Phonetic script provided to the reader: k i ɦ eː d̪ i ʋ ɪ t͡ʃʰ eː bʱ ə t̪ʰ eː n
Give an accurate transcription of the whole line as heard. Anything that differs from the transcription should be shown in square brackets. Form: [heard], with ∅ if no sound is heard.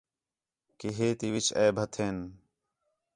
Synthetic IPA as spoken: k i ɦ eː [t̪] i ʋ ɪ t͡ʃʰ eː bʱ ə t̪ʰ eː n